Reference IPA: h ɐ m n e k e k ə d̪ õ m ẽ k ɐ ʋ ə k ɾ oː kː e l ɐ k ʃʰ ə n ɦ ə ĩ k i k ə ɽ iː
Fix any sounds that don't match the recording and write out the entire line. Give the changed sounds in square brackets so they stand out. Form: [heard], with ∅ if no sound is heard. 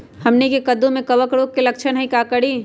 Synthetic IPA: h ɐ m n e k e k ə d̪ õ m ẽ k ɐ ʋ ə k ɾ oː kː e l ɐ k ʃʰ ə n ɦ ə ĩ k [a] k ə ɽ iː